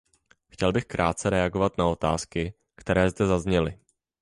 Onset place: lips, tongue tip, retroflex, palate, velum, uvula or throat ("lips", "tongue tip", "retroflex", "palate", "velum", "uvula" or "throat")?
velum